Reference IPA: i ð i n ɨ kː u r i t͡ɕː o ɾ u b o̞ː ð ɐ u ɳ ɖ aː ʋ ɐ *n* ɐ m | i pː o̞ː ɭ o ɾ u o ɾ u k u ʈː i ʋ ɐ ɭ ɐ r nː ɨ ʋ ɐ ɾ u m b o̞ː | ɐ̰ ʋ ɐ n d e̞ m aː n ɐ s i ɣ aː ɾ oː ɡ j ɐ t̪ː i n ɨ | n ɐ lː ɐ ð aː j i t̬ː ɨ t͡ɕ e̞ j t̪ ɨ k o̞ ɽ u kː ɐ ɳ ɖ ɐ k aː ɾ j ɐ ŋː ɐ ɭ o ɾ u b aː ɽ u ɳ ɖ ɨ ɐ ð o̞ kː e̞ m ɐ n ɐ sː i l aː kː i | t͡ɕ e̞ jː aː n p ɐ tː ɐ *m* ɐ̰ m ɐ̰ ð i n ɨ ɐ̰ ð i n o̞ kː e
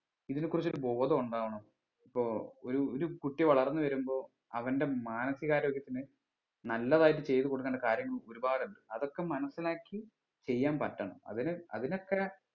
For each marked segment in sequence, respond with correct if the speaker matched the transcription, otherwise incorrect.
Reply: incorrect, incorrect

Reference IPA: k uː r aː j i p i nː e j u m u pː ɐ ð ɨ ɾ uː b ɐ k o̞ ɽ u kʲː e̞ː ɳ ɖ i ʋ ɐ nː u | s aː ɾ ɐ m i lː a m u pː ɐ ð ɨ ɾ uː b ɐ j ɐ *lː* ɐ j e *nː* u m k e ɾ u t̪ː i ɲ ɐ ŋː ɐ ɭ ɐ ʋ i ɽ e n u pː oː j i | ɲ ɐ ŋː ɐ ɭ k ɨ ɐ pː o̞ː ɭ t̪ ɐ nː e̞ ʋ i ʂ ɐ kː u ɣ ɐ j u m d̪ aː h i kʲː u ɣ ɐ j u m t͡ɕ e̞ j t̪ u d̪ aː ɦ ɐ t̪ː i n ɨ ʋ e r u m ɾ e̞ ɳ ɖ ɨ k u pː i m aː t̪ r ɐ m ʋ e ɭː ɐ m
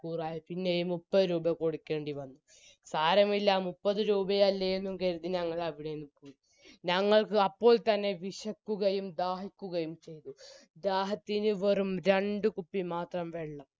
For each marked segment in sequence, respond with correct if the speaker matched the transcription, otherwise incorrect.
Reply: correct, correct

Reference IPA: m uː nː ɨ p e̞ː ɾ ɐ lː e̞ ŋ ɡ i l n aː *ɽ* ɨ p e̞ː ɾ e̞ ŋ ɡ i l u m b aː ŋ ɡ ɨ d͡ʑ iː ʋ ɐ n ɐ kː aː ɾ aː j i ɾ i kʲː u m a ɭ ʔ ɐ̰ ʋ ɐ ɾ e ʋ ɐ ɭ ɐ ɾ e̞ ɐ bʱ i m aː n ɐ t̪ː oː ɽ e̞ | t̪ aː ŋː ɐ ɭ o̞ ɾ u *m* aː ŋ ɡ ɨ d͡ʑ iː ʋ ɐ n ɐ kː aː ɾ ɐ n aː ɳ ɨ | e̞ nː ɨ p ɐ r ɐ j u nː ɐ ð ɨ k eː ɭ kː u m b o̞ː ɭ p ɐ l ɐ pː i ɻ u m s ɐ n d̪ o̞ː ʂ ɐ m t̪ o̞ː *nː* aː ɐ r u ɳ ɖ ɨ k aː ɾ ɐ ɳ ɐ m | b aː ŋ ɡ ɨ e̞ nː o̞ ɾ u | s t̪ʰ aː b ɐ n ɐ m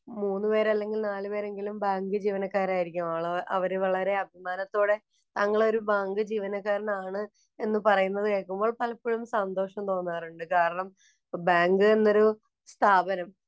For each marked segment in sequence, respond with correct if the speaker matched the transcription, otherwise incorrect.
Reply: incorrect, incorrect, correct

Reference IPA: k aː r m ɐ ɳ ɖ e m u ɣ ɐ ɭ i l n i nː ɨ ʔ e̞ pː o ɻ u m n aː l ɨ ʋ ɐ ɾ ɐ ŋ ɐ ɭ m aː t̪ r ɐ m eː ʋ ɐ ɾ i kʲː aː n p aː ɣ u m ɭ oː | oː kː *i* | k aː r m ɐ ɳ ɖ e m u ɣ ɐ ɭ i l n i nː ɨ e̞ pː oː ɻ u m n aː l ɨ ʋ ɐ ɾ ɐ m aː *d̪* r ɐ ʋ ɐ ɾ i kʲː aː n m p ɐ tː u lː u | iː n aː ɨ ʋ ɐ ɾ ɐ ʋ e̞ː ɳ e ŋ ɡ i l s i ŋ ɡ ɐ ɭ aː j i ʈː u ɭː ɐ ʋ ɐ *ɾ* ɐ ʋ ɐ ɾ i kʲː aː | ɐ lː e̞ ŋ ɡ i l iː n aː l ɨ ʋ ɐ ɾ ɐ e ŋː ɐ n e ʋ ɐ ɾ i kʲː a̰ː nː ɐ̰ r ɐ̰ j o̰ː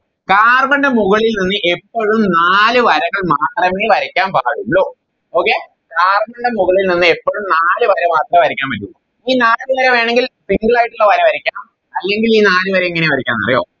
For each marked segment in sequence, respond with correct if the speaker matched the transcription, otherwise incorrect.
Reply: incorrect, incorrect, correct

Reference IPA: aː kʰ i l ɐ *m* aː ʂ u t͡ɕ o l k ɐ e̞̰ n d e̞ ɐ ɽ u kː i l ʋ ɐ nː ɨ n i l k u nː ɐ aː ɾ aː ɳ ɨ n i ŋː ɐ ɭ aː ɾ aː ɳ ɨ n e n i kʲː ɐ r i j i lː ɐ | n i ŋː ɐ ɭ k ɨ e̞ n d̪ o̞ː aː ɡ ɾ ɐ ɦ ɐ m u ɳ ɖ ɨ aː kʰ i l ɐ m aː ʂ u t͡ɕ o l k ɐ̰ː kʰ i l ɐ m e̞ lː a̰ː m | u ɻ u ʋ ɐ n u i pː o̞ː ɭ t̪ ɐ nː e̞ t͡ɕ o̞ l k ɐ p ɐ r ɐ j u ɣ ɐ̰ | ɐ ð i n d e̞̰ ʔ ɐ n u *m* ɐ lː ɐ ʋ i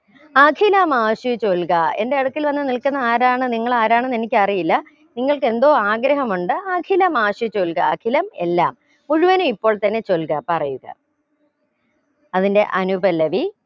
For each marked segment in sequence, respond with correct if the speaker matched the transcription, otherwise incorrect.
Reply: correct, incorrect

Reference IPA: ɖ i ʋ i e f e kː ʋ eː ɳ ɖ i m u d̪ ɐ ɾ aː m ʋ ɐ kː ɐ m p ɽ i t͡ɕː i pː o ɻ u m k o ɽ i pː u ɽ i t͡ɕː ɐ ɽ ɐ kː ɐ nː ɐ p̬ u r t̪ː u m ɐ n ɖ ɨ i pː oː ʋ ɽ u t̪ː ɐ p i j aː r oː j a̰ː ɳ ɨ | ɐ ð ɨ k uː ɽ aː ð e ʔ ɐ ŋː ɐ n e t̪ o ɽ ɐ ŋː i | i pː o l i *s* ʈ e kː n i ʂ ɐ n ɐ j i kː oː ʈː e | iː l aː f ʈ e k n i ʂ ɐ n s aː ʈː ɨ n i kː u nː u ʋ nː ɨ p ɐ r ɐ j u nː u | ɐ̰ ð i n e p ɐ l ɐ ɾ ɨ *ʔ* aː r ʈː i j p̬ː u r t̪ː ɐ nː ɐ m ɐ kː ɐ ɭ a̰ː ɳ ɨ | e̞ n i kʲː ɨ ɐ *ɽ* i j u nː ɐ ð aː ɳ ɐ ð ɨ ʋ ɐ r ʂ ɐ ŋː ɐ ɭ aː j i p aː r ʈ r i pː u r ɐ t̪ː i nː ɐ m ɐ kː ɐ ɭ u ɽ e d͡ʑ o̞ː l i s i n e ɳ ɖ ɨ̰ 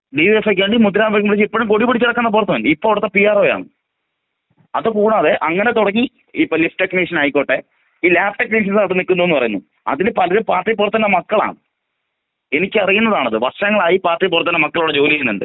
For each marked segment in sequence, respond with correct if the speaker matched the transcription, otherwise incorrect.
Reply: incorrect, incorrect, incorrect

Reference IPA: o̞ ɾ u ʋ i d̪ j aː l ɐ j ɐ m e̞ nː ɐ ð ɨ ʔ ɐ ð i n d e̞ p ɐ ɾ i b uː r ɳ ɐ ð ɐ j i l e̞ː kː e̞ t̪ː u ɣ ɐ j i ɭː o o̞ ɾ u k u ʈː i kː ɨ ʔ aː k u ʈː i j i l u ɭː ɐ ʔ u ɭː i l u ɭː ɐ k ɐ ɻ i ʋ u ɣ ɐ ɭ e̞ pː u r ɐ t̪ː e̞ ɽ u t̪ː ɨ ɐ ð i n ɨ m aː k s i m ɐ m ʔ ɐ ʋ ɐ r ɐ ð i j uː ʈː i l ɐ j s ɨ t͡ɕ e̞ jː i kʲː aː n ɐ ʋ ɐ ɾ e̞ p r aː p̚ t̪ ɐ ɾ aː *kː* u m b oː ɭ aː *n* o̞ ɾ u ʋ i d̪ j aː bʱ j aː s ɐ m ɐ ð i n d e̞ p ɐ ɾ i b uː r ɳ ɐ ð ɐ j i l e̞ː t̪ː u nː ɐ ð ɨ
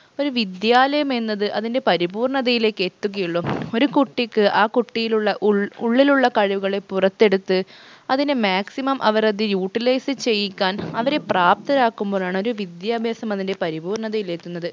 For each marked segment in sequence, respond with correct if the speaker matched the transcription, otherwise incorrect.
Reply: correct, incorrect

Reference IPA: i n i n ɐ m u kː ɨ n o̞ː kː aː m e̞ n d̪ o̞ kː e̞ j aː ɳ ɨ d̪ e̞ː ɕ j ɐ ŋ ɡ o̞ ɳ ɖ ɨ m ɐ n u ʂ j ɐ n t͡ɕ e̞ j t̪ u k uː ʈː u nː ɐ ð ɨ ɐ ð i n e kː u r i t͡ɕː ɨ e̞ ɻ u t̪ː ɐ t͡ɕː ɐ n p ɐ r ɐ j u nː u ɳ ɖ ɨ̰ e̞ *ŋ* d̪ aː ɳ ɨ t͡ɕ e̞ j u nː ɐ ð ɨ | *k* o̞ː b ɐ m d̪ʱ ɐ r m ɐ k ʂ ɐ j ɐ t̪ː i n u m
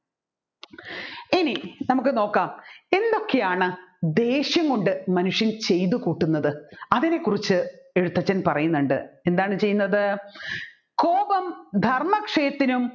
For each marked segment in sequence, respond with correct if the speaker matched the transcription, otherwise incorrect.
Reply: incorrect, correct

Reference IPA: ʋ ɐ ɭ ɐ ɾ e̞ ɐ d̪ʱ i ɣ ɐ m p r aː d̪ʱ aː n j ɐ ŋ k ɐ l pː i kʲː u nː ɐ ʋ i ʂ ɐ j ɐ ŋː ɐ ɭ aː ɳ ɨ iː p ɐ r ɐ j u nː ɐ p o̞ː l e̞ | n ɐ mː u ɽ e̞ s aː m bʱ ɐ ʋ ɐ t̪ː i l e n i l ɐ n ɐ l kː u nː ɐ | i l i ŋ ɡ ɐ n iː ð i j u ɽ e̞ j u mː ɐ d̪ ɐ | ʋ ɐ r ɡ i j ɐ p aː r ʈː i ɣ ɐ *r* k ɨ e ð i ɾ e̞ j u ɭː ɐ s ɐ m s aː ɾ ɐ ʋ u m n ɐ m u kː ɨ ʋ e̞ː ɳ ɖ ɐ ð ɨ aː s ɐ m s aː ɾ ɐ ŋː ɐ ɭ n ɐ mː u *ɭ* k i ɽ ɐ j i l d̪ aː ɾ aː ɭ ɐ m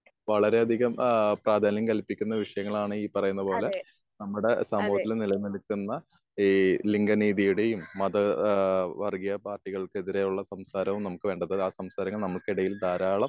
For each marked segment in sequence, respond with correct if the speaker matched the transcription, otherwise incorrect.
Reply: incorrect, correct

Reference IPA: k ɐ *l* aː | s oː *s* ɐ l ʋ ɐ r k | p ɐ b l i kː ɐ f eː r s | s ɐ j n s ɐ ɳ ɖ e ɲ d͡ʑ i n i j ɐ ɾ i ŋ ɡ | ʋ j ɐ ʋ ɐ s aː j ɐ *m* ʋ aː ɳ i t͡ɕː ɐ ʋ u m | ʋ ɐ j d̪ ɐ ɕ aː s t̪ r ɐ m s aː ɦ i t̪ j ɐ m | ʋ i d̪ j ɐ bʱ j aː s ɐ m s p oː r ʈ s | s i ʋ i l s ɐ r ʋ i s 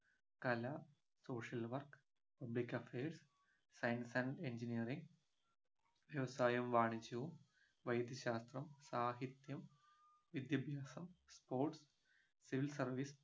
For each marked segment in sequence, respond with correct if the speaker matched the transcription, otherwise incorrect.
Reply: correct, incorrect, correct

